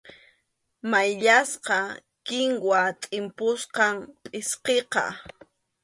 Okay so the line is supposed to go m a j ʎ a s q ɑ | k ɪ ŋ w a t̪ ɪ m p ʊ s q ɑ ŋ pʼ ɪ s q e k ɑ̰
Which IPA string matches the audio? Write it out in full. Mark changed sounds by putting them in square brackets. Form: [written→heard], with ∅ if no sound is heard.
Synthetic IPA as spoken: m a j ʎ a s q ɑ | k ɪ ŋ w a [t̪→t̪ʼ] ɪ m p ʊ s q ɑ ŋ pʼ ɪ s q e [k→q] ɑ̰